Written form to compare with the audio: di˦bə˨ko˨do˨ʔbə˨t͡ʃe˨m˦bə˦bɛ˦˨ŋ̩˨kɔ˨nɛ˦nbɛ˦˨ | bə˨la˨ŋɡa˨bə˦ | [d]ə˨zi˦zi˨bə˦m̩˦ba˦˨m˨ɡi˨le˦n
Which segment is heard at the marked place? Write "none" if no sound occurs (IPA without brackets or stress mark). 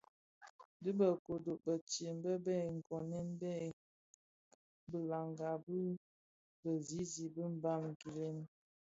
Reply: b